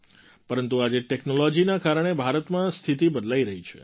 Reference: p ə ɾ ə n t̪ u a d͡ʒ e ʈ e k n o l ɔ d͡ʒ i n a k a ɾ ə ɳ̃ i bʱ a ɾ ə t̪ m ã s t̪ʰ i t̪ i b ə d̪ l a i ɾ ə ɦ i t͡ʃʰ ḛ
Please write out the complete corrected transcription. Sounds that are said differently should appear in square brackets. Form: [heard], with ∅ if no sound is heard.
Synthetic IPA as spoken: p ə ɾ ə n t̪ u a d͡ʒ e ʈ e k n o l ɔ d͡ʒ i n a k a ɾ ə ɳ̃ [e] bʱ a ɾ ə t̪ m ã s t̪ʰ i t̪ i b ə d̪ l a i ɾ ə ɦ i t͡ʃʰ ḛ